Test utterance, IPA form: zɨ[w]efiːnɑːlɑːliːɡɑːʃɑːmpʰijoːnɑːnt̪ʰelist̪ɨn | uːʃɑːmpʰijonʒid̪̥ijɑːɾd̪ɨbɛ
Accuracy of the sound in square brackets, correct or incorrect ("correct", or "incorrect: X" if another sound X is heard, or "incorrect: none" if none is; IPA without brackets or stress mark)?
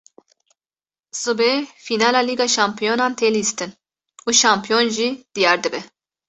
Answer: incorrect: b